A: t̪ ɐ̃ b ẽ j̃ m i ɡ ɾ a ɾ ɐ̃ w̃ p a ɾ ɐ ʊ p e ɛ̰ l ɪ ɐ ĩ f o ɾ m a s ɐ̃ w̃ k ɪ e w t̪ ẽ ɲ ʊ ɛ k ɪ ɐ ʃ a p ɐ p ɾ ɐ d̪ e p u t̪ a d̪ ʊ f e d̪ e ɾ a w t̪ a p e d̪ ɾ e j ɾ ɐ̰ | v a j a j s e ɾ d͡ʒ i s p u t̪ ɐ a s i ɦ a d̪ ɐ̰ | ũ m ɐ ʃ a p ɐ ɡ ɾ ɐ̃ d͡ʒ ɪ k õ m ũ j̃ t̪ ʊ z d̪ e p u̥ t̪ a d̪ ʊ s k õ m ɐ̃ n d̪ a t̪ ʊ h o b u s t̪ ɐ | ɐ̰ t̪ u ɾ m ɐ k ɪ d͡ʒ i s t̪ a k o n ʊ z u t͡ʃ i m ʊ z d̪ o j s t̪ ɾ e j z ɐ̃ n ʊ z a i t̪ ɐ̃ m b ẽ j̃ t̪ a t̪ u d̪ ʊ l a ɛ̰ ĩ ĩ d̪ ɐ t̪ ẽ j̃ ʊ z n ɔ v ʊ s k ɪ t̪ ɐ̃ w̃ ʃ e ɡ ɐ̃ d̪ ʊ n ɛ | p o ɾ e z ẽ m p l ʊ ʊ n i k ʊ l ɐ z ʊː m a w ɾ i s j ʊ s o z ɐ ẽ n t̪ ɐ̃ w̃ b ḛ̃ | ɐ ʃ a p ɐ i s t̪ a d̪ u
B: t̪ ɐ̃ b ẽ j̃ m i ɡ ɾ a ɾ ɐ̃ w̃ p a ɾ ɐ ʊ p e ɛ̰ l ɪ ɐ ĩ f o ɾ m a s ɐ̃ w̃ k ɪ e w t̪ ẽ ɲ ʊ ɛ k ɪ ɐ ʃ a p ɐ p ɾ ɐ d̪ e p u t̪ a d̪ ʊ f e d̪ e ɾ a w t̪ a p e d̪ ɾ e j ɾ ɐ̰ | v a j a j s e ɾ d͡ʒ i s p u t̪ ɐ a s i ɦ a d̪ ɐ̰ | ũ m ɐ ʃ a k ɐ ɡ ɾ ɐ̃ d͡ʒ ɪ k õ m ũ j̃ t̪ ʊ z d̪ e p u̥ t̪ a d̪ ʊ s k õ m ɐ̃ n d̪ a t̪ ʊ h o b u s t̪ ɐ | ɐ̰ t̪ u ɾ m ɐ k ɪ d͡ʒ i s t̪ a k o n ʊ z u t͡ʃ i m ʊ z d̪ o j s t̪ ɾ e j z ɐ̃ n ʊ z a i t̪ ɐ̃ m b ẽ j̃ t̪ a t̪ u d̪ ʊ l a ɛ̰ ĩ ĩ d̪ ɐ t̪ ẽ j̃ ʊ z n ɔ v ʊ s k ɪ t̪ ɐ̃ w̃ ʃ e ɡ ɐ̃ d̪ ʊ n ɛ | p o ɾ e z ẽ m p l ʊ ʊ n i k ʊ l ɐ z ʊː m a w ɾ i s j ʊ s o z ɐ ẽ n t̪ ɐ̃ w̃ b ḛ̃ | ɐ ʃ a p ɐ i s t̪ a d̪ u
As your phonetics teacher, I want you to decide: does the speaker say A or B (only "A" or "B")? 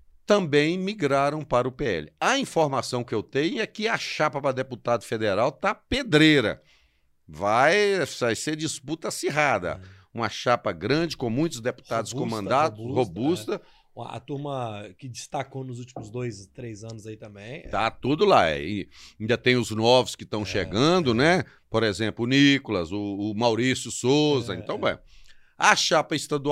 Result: A